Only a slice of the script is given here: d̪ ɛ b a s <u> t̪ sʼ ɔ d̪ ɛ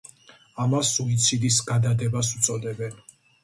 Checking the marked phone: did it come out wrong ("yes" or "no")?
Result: no